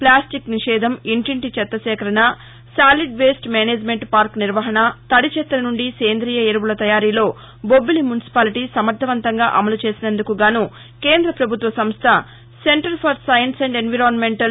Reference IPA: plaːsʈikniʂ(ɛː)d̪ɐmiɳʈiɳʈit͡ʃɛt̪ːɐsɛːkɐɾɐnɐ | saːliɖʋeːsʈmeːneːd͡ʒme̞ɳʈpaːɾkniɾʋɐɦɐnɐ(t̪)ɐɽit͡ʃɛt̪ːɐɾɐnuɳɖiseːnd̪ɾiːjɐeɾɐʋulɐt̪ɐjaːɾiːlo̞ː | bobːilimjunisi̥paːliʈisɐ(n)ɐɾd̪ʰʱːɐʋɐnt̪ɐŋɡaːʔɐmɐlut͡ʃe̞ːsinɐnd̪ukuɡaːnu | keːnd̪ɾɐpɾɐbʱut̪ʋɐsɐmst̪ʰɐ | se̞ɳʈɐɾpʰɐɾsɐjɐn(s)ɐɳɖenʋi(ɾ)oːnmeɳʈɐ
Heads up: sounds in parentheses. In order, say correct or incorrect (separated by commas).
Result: correct, correct, incorrect, correct, correct